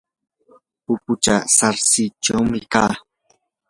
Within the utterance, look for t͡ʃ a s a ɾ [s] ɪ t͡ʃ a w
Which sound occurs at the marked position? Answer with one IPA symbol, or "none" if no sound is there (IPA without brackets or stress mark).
s